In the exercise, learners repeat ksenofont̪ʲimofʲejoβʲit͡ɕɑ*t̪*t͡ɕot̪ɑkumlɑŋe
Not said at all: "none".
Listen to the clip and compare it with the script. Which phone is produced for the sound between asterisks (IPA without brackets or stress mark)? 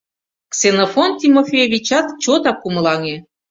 t̪